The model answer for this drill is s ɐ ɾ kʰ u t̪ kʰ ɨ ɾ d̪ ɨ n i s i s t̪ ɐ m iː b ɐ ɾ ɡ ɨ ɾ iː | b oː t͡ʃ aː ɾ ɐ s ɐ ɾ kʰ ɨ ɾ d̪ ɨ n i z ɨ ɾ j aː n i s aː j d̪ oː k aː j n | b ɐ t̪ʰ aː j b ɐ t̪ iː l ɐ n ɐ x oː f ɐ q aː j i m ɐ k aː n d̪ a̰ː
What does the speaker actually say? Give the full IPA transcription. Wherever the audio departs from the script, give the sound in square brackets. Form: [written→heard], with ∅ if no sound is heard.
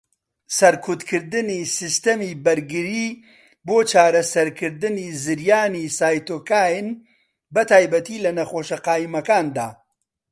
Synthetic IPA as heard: s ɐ ɾ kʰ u t̪ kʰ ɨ ɾ d̪ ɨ n i s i s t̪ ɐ m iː b ɐ ɾ ɡ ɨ ɾ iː | b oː t͡ʃ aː ɾ ɐ s ɐ ɾ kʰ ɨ ɾ d̪ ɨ n i z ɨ ɾ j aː n i s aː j [d̪→t̪] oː k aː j n | b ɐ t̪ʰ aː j b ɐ t̪ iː l ɐ n ɐ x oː [f→ʃ] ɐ q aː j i m ɐ k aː n d̪ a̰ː